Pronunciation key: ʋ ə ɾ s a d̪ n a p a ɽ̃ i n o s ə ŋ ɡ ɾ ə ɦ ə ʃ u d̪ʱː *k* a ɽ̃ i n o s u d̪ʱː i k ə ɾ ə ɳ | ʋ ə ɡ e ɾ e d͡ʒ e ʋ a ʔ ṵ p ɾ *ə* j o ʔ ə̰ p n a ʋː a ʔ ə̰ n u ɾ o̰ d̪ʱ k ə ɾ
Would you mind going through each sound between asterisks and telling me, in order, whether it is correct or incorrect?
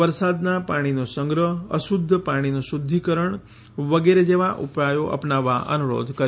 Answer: incorrect, incorrect

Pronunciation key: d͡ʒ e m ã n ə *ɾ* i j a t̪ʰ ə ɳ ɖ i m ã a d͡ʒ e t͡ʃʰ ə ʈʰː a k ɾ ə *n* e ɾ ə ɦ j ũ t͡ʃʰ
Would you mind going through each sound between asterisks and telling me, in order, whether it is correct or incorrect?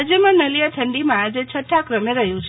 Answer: incorrect, incorrect

